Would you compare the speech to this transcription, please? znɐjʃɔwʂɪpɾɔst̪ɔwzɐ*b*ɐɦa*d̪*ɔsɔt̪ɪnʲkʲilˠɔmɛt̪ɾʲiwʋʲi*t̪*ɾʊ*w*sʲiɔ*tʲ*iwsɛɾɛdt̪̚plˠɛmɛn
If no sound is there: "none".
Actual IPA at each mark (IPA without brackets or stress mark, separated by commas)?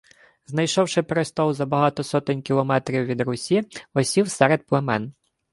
b, t̪, d̪, none, sʲ